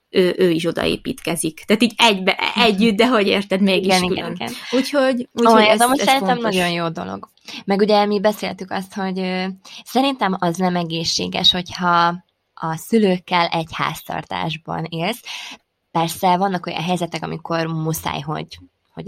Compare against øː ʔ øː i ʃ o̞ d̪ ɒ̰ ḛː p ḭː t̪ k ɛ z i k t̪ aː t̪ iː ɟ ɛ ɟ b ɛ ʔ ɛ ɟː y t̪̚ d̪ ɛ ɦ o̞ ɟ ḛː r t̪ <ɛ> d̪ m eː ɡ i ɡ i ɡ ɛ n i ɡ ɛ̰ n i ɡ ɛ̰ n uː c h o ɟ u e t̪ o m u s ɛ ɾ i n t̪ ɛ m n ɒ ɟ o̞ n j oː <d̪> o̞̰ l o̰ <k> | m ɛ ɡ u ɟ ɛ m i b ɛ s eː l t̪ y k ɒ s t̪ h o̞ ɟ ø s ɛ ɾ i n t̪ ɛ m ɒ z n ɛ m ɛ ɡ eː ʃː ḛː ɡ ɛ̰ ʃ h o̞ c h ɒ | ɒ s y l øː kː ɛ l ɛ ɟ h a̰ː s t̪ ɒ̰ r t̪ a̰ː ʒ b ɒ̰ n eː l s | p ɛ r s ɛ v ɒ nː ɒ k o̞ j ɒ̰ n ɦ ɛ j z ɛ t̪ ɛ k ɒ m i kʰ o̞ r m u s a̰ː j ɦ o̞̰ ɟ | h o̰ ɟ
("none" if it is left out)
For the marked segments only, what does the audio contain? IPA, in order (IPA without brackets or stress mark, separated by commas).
ɛ, d̪, ɡ